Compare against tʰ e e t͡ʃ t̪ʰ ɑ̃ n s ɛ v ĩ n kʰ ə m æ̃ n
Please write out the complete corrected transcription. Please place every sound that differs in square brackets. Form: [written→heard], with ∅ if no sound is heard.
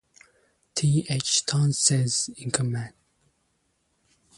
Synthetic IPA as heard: tʰ [e→i] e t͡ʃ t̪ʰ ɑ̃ n s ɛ [v→z] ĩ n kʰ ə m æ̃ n